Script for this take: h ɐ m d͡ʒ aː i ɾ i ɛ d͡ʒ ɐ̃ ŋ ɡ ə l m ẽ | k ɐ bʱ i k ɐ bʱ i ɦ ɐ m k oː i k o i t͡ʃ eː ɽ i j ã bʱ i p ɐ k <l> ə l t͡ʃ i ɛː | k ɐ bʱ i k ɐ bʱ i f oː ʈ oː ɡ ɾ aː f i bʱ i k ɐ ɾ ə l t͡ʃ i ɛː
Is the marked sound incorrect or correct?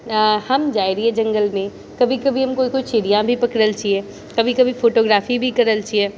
incorrect